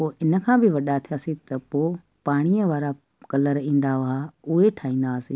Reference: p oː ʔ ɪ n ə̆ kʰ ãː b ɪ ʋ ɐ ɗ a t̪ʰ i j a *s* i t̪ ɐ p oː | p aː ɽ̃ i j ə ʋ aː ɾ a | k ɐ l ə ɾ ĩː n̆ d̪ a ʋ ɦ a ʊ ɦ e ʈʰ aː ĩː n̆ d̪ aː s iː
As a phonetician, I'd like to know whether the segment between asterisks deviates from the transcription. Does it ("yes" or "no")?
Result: no